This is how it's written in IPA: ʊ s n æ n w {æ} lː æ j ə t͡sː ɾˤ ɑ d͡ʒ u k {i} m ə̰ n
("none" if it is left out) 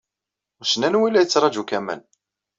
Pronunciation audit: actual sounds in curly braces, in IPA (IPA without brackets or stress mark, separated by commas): i, æ